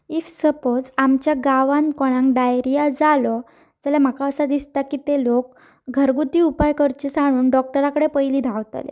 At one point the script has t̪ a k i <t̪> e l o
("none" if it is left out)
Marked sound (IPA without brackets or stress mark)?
t̪